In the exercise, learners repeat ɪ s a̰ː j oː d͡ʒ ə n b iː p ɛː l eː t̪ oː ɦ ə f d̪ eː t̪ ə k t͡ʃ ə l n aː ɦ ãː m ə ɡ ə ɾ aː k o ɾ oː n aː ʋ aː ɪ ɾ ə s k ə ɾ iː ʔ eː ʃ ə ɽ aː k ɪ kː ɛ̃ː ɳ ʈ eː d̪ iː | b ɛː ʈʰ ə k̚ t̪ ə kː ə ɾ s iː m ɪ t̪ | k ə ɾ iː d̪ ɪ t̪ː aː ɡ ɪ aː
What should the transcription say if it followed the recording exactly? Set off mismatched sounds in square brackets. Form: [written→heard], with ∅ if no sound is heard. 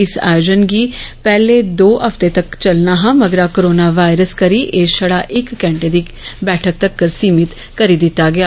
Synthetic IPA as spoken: ɪ s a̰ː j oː d͡ʒ ə n [b→ɡ] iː p ɛː l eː [t̪→d̪] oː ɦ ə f [d̪→t̪] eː t̪ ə k t͡ʃ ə l n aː ɦ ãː m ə ɡ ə ɾ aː k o ɾ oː n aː ʋ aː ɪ ɾ ə s k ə ɾ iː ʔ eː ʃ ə ɽ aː [k→ʔ] ɪ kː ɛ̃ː ɳ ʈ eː d̪ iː | b ɛː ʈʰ ə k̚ t̪ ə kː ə ɾ s iː m ɪ t̪ | k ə ɾ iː d̪ ɪ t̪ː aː ɡ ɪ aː